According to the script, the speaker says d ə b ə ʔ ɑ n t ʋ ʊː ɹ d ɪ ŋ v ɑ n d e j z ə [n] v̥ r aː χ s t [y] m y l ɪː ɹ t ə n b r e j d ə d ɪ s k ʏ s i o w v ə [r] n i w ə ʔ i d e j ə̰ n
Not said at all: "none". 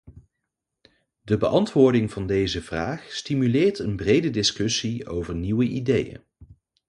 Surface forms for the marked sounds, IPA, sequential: none, i, ɹ

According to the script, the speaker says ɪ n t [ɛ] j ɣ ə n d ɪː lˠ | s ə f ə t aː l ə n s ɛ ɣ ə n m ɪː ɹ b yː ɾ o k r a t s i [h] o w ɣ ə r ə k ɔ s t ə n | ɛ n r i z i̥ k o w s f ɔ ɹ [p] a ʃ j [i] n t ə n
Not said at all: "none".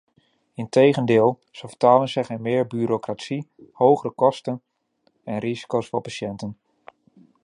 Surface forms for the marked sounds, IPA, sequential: e, h, p, ɛ

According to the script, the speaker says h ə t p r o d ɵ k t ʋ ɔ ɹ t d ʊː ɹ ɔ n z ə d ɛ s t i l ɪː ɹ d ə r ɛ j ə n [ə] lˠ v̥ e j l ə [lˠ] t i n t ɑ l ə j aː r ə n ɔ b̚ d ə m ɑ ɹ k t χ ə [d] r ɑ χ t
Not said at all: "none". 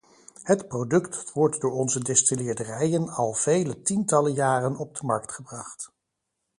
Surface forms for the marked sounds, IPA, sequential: ɑ, none, b

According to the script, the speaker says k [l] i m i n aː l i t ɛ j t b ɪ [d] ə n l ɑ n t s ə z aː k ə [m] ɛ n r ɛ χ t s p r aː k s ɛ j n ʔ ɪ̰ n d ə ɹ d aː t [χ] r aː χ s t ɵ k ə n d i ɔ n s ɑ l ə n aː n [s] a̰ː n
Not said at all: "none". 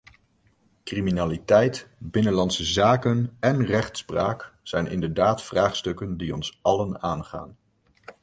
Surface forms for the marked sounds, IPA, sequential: r, n, n, f, χ

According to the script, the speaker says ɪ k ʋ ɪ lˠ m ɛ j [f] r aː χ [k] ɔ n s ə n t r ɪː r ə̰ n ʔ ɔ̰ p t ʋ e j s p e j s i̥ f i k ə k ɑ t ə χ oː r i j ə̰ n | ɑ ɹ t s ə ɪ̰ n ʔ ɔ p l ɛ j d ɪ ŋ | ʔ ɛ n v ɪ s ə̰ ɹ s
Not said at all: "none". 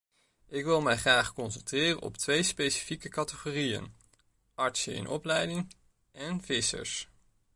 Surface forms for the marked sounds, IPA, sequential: χ, k

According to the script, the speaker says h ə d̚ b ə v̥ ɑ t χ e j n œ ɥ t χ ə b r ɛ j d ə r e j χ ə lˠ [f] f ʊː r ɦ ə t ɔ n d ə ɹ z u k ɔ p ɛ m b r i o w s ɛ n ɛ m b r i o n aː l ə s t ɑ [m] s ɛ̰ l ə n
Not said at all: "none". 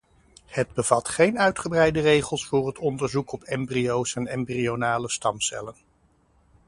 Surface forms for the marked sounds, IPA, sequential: s, m

